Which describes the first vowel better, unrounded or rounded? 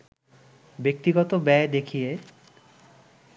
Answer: unrounded